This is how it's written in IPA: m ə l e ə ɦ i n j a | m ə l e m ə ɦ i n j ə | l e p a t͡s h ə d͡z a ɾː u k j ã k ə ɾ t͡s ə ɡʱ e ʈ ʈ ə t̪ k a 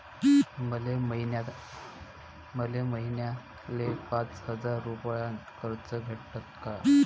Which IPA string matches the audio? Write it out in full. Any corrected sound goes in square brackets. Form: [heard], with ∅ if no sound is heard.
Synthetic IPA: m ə l e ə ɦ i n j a | m ə l e m ə ɦ i n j [a] | l e p a t͡s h ə d͡z a ɾː u [p] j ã k ə ɾ t͡s ə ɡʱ e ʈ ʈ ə t̪ k a